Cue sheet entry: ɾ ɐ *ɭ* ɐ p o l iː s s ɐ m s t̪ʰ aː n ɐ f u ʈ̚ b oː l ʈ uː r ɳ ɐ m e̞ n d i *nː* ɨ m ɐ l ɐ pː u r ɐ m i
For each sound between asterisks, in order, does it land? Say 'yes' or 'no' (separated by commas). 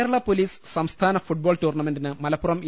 yes, no